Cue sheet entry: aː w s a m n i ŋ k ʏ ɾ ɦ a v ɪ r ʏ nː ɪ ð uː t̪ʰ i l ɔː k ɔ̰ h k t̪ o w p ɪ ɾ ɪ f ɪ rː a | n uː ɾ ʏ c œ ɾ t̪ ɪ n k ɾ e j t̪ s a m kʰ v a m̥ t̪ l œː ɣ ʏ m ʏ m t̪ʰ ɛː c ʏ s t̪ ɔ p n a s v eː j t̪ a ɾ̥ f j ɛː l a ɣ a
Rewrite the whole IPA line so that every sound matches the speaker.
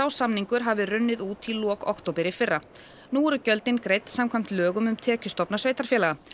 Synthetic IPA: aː w s a m n i ŋ k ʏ ɾ ɦ a v ɪ r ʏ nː ɪ ð uː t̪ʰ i l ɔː k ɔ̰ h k t̪ o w p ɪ ɾ ɪ f ɪ rː a | n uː ɾ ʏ c œ l t̪ ɪ n k ɾ e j t̪ s a m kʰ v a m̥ t̪ l œː ɣ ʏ m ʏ m t̪ʰ ɛː c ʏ s t̪ ɔ p n a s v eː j t̪ a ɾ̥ f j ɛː l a ɣ a